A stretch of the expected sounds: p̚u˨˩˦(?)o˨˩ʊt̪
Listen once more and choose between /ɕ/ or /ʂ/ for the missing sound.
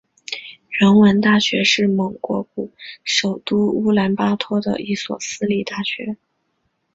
ʂ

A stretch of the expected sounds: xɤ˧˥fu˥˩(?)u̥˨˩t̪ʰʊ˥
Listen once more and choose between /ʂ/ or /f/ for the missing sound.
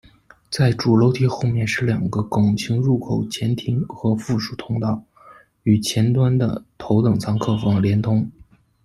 ʂ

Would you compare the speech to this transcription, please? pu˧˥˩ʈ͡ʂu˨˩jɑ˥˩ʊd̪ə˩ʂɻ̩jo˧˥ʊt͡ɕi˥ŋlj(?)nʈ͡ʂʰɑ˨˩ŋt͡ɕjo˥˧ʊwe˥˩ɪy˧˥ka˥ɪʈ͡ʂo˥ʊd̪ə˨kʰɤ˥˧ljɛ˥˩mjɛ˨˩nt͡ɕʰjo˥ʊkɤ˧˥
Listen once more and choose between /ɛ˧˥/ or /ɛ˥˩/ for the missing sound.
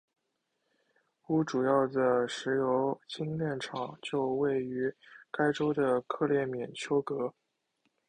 ɛ˥˩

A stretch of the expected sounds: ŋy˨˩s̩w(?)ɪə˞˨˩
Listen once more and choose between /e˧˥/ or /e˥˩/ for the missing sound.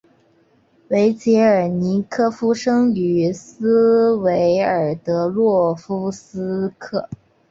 e˧˥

